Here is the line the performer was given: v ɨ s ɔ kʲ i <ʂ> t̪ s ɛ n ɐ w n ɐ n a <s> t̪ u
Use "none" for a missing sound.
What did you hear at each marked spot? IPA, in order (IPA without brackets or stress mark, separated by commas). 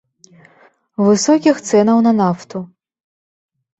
x, f